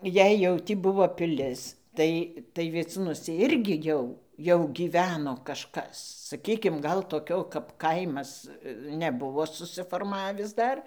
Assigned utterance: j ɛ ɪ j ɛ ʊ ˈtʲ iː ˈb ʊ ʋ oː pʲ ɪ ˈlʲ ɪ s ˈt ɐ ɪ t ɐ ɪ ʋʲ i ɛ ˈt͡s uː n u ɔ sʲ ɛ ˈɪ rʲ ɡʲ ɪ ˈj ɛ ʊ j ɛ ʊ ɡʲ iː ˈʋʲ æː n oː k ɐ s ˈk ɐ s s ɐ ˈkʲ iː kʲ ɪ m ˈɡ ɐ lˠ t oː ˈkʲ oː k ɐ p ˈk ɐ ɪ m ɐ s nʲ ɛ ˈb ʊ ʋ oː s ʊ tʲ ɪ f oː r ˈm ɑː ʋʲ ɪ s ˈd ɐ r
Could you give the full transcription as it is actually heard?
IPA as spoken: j ɛ ɪ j ɛ ʊ ˈtʲ iː ˈb ʊ ʋ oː pʲ ɪ ˈlʲ ɪ s ˈt ɐ ɪ t ɐ ɪ ʋʲ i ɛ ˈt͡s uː n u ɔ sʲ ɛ ˈɪ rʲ ɡʲ ɪ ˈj ɛ ʊ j ɛ ʊ ɡʲ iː ˈʋʲ æː n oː k ɐ ʃ ˈk ɐ s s ɐ ˈkʲ iː kʲ ɪ m ˈɡ ɐ lˠ t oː ˈkʲ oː k ɐ p ˈk ɐ ɪ m ɐ s nʲ ɛ ˈb ʊ ʋ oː s ʊ sʲ ɪ f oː r ˈm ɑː ʋʲ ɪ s ˈd ɐ r